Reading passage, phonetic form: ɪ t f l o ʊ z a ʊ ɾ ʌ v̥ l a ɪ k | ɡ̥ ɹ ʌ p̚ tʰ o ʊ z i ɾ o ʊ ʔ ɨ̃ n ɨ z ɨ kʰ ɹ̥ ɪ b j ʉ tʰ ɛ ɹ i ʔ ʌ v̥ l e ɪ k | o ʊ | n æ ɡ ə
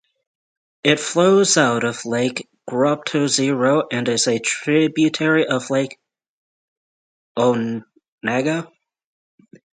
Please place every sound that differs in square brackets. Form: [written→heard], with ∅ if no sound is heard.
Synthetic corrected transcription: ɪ t f l o ʊ z a ʊ ɾ ʌ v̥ l a ɪ k | ɡ̥ ɹ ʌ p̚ tʰ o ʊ z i [ɾ→ɹ] o ʊ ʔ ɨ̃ n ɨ z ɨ [kʰ→tʰ] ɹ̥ ɪ b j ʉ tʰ ɛ ɹ i ʔ ʌ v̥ l [e→a] ɪ k | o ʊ | n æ ɡ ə

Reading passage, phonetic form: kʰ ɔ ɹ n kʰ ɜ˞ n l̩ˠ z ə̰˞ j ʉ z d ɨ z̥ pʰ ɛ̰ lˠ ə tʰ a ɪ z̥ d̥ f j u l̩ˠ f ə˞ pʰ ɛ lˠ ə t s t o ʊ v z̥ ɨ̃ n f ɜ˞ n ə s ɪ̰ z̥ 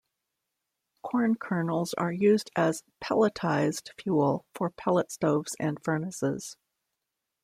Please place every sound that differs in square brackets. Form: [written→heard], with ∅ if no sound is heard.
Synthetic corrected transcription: kʰ ɔ ɹ n kʰ ɜ˞ n l̩ˠ z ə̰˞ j ʉ z d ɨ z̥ pʰ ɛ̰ lˠ ə tʰ a ɪ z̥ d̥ f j u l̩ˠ f ə˞ pʰ ɛ lˠ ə t s t o ʊ v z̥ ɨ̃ n f ɜ˞ n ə s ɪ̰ z̥

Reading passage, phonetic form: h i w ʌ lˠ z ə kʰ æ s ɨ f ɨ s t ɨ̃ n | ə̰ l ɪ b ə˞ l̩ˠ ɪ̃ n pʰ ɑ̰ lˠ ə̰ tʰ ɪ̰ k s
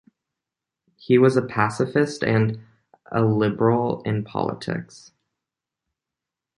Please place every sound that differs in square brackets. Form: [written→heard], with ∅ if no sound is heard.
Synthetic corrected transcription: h i w ʌ [lˠ→∅] z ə [kʰ→pʰ] æ s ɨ f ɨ s t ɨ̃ n | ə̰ l ɪ b ə˞ l̩ˠ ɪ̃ n pʰ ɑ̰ lˠ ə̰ tʰ ɪ̰ k s

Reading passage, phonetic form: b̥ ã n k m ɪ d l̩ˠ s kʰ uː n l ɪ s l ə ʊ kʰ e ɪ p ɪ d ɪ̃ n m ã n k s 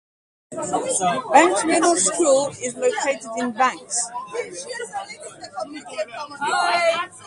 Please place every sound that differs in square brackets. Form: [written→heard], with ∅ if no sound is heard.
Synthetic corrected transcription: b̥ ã [n→ŋ] k m ɪ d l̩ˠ s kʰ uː [n→∅] l ɪ [s→z] l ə ʊ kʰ e ɪ [p→t] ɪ d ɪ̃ n [m→b] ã [n→ŋ] k s

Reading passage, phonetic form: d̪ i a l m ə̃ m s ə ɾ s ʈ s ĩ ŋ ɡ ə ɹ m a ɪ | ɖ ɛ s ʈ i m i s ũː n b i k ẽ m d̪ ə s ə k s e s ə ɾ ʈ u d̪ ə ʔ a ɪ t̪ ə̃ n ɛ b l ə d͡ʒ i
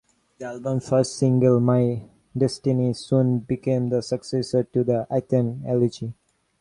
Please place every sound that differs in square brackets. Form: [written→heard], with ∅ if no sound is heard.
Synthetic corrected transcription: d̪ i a l [m→b] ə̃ m [s→f] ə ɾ s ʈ s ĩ ŋ ɡ ə [ɹ→l] m a ɪ | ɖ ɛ s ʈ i [m→n] i s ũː n b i k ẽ m d̪ ə s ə k s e s ə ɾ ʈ u d̪ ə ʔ a ɪ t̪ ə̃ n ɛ [b→∅] l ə d͡ʒ i

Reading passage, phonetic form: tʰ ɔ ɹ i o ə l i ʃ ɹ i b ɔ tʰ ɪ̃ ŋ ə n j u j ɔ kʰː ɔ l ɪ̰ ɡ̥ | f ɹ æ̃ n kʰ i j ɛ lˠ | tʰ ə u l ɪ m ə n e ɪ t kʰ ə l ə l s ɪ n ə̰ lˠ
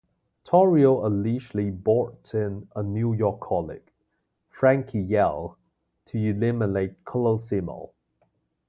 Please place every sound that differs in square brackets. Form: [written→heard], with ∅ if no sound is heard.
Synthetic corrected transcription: tʰ ɔ ɹ i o ə l i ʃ [ɹ→l] i b ɔ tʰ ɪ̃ [ŋ→n] ə n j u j ɔ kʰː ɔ l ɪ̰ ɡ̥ | f ɹ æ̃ [n→ŋ] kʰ i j ɛ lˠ | tʰ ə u l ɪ m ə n e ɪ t kʰ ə l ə l s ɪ [n→m] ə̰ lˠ

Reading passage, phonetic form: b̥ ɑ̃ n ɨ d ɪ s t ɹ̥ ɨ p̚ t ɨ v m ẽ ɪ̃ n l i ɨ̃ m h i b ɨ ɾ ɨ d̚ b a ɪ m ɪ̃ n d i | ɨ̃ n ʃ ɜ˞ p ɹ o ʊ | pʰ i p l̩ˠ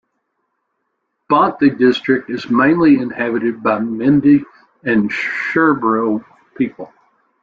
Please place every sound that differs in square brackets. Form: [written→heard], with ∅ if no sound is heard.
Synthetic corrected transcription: b̥ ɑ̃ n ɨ d ɪ s t ɹ̥ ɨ [p̚→k̚] t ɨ [v→z] m ẽ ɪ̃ n l i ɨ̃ [m→n] h [i→æ] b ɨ ɾ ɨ d̚ b a ɪ m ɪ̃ n d i | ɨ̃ n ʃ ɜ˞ [p→b] ɹ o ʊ | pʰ i p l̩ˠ

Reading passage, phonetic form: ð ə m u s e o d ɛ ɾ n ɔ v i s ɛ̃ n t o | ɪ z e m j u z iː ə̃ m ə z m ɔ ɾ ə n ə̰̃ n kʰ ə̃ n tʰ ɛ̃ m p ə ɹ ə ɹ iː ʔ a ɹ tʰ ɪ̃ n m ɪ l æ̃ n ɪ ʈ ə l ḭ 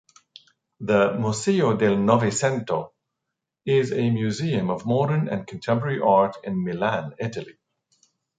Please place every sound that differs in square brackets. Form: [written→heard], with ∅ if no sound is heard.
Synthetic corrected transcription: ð ə m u s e o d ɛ [ɾ→l] n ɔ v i s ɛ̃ n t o | ɪ z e m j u z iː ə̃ m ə [z→v] m ɔ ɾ ə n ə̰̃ n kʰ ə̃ n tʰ ɛ̃ m p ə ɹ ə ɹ [iː→i] ʔ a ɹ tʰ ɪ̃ n m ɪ l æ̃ n ɪ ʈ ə l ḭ

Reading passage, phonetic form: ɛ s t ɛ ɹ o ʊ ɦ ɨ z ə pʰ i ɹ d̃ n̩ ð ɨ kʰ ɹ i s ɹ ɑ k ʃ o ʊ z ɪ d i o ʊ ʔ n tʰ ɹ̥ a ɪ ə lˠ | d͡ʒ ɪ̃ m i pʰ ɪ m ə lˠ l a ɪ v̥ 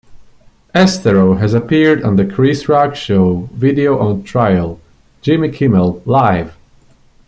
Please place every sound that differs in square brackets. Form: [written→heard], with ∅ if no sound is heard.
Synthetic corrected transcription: ɛ s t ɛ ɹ o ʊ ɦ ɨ z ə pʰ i ɹ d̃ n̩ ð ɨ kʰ ɹ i s ɹ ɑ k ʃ o ʊ [z→v] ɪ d i o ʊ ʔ n tʰ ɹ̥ a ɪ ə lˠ | d͡ʒ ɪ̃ m i [pʰ→kʰ] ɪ m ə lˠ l a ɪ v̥

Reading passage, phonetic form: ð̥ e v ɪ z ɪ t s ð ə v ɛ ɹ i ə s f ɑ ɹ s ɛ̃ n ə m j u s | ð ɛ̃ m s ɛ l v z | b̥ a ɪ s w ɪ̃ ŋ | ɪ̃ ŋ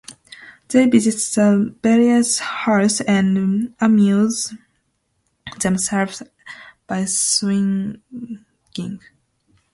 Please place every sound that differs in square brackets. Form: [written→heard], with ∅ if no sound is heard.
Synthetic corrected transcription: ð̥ e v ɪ z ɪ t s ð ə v ɛ ɹ i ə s [f→h] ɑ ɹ s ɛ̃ n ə m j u [s→z] | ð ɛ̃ m s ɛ l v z | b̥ a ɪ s w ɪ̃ ŋ | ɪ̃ ŋ

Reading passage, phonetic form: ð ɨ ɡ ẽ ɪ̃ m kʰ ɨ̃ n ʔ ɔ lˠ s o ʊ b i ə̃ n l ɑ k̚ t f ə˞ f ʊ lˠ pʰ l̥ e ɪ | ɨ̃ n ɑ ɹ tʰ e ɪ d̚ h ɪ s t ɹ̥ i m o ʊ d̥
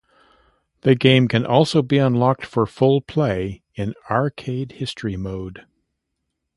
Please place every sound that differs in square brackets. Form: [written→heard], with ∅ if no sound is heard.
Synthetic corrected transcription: ð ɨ ɡ ẽ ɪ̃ m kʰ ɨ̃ n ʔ ɔ lˠ s o ʊ b i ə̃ n l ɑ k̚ t f ə˞ f ʊ lˠ pʰ l̥ e ɪ | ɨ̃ n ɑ ɹ [tʰ→kʰ] e ɪ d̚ h ɪ s t ɹ̥ i m o ʊ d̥

